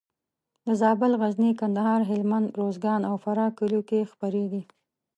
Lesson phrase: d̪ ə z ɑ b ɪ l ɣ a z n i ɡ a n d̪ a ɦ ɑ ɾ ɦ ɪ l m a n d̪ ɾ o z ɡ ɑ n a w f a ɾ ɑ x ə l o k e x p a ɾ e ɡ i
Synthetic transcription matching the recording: d̪ ə z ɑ b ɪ l ɣ a z n i k a n d̪ a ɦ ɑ ɾ ɦ ɪ l m a n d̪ ɾ o z ɡ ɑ n a w f a ɾ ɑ k ə l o k e x p a ɾ e ɡ i